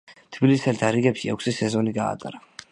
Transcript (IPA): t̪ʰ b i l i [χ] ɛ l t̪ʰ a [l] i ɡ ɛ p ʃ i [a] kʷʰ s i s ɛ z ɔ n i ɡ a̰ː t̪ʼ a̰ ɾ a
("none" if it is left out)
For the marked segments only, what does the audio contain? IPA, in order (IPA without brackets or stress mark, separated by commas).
s, ɾ, ɛ